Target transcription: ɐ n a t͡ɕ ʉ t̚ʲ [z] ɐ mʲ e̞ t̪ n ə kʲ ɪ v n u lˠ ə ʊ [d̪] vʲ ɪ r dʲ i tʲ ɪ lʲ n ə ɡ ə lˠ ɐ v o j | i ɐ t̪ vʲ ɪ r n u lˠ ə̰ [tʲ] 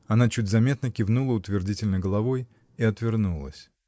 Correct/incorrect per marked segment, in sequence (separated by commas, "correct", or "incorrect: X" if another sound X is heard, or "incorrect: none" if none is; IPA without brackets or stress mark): correct, incorrect: t̪, incorrect: sʲ